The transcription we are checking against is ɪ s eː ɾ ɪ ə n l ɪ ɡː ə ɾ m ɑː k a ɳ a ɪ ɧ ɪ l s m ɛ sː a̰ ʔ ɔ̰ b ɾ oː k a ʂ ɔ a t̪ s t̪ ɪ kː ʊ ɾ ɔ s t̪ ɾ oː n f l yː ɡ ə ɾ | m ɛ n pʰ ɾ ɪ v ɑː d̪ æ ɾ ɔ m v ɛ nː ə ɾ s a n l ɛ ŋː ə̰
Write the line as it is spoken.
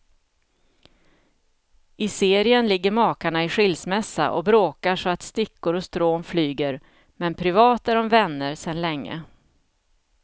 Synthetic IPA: ɪ s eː ɾ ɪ ə n l ɪ ɡː ə ɾ m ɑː k a ɳ a ɪ ɧ ɪ l s m ɛ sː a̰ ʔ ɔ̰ b ɾ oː k a ʂ ɔ a t̪ s t̪ ɪ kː ʊ ɾ ɔ s t̪ ɾ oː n f l yː ɡ ə ɾ | m ɛ n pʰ ɾ ɪ v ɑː t̪ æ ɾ ɔ m v ɛ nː ə ɾ s ɛ n l ɛ ŋː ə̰

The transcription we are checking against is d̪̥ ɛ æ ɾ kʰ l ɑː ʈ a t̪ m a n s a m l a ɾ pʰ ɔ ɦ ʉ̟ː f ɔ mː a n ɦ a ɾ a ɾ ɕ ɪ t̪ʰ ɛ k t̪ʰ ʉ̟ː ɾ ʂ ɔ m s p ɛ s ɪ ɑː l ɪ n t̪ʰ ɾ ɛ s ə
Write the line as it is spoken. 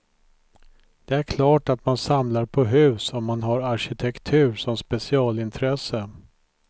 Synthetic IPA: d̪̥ ɛ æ ɾ kʰ l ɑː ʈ a t̪ m a n s a m l a ɾ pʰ ɔ ɦ ʉ̟ː s ɔ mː a n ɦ a ɾ a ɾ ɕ ɪ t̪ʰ ɛ k t̪ʰ ʉ̟ː ɾ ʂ ɔ m s p ɛ s ɪ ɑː l ɪ n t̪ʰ ɾ ɛ s ə

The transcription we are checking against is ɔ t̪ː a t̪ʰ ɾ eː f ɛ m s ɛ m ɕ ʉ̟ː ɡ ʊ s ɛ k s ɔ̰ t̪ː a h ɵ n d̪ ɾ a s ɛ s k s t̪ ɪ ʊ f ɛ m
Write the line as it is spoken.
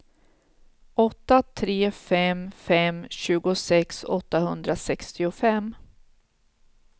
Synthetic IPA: ɔ t̪ː a t̪ʰ ɾ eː f ɛ m f ɛ m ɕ ʉ̟ː ɡ ʊ s ɛ k s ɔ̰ t̪ː a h ɵ n d̪ ɾ a s ɛ k s t̪ ɪ ʊ f ɛ m

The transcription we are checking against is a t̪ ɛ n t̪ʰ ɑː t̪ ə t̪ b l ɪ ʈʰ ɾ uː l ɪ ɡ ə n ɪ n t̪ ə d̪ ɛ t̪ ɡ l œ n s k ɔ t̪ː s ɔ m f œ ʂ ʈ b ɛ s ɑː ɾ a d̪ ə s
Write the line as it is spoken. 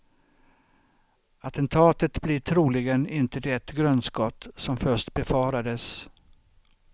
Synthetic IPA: a t̪ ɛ n t̪ʰ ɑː t̪ ə t̪ b l ɪ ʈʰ ɾ uː l ɪ ɡ ə n ɪ n t̪ ə d̪ ɛ t̪ ɡ ɾ œ n s k ɔ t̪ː s ɔ m f œ ʂ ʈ b ɛ f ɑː ɾ a d̪ ə s

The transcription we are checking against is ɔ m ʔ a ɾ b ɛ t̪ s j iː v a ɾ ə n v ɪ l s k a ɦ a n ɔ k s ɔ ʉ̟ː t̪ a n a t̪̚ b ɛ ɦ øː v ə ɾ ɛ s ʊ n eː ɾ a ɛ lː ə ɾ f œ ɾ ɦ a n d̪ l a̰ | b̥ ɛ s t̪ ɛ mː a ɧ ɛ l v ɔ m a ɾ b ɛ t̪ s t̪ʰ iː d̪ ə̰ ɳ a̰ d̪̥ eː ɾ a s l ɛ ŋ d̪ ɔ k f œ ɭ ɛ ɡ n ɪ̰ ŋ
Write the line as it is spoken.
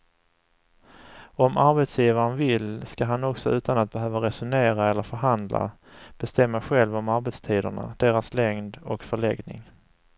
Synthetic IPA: ɔ m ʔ a ɾ b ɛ t̪ s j iː v a ɾ ə n v ɪ l s k a ɦ a n ɔ k s ɔ ʉ̟ː t̪ a n a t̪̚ b ɛ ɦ øː v a ɾ ɛ s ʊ n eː ɾ a ɛ lː ə ɾ f œ ɾ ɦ a n d̪ l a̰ | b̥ ɛ s t̪ ɛ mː a ɧ ɛ l v ɔ m a ɾ b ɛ t̪ s t̪ʰ iː d̪ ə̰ ɳ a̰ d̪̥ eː ɾ a s l ɛ ŋ d̪ ɔ k f œ ɭ ɛ ɡ n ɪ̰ ŋ

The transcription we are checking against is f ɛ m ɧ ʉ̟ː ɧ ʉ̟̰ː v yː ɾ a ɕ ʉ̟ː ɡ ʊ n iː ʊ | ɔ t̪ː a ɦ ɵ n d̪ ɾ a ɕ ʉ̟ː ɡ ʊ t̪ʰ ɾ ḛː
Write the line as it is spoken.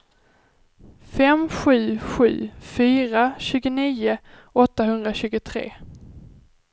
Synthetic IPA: f ɛ m ɧ ʉ̟ː ɧ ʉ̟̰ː f yː ɾ a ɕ ʉ̟ː ɡ ʊ n iː ʊ | ɔ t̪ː a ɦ ɵ n d̪ ɾ a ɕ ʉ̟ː ɡ ʊ t̪ʰ ɾ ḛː

